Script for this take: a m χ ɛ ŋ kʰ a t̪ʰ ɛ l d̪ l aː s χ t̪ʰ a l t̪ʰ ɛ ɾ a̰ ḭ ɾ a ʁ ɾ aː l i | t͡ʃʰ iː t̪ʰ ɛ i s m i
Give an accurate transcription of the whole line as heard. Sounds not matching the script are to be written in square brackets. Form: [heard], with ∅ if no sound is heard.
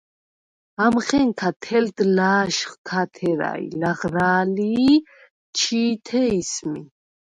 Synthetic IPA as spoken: a m χ ɛ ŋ kʰ a t̪ʰ ɛ l d̪ l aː [ʃ] χ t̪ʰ a [∅] t̪ʰ ɛ ɾ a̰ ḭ [l] a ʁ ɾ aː l i | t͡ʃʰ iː t̪ʰ ɛ i s m i